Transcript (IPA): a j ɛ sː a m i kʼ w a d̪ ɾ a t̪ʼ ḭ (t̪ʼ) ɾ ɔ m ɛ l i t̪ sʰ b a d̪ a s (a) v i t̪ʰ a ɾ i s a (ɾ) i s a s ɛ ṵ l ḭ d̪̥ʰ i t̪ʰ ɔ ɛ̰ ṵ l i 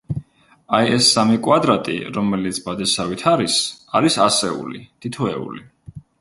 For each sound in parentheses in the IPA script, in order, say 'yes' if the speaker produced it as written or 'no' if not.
no, yes, yes

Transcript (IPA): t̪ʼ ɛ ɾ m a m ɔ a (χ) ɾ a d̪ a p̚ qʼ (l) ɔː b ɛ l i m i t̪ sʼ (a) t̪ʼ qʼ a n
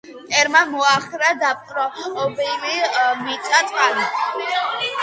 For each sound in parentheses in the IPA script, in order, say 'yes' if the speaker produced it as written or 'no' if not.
yes, no, yes

